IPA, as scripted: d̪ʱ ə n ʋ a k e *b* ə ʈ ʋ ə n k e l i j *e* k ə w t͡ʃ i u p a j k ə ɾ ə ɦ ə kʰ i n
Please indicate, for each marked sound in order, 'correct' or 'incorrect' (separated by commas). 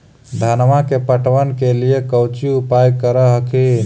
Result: incorrect, correct